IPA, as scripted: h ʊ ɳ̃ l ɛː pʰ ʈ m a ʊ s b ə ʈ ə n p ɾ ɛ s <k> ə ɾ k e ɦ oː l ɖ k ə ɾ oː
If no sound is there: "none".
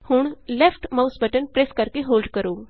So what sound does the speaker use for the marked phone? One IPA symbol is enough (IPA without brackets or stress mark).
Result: k